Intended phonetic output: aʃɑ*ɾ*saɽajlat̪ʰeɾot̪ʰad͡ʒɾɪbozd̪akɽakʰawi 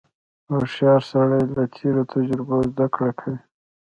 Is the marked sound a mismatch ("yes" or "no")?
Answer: no